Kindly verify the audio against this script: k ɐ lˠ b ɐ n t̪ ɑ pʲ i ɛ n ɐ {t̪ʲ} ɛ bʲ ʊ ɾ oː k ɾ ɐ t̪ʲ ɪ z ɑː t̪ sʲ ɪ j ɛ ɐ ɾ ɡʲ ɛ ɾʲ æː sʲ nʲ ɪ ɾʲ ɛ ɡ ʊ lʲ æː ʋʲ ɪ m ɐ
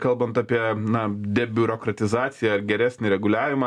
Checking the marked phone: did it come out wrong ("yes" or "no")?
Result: yes